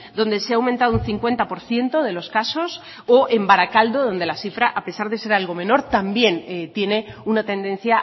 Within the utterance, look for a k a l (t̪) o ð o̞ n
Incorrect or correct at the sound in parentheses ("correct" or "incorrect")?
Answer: incorrect